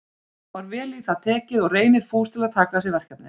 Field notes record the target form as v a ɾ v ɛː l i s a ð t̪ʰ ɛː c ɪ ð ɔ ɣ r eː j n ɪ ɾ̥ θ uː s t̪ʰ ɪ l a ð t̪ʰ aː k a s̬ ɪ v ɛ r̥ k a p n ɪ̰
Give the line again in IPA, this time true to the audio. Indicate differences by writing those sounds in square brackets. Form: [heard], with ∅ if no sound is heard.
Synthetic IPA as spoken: v a ɾ v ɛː l i [θ] a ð t̪ʰ ɛː c ɪ ð ɔ ɣ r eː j n ɪ ɾ̥ [f] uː s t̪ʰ ɪ l a ð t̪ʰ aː k a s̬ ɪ v ɛ r̥ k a p n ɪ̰